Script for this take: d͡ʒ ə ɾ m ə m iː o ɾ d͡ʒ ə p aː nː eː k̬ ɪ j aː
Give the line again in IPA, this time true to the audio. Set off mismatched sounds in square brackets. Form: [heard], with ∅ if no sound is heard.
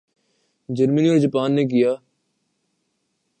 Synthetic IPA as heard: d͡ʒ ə ɾ m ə [n] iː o ɾ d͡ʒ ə p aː nː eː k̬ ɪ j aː